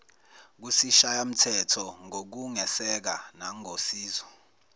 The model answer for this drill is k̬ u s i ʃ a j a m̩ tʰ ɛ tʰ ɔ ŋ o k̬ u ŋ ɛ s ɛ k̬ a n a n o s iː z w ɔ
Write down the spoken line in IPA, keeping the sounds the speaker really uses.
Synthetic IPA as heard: k̬ u s i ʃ a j a m̩ tʰ ɛ tʰ ɔ ŋ o k̬ u ŋ ɛ s ɛ k̬ a n a ŋ o s iː z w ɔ